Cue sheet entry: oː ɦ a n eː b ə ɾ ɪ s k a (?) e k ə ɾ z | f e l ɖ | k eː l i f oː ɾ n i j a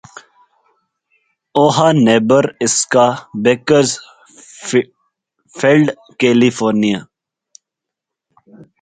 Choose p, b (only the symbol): b